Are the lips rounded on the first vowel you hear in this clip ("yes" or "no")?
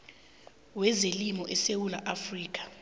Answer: no